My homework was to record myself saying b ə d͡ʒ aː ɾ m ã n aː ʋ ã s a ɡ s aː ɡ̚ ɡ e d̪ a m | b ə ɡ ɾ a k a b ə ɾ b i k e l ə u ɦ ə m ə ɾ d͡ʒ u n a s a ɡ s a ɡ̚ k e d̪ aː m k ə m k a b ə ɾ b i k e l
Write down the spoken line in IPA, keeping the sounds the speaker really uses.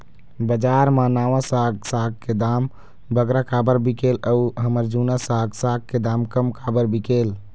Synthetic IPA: b ə d͡ʒ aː ɾ m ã n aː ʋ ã s a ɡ s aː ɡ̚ k e d̪ a m | b ə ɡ ɾ a k a b ə ɾ b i k e l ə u ɦ ə m ə ɾ d͡ʒ u n a s a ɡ s a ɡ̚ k e d̪ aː m k ə m k a b ə ɾ b i k e l